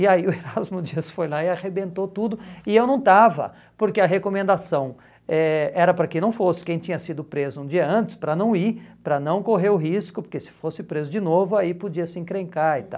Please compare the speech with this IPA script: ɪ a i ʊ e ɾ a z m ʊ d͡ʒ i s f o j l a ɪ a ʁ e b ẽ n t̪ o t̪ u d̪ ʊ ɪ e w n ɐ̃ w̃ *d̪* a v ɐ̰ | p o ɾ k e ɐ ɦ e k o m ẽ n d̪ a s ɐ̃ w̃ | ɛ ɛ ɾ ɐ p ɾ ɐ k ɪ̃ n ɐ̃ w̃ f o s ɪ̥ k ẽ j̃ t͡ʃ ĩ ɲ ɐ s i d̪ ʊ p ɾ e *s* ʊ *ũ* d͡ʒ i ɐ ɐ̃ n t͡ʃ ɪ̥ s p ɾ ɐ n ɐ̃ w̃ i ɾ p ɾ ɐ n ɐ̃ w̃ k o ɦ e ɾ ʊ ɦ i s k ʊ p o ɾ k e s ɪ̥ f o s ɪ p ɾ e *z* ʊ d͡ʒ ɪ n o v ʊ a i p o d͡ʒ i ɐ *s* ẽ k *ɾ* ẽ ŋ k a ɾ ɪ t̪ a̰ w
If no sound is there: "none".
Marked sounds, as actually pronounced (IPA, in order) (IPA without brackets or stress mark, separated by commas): t̪, z, ũ, z, s, ɾ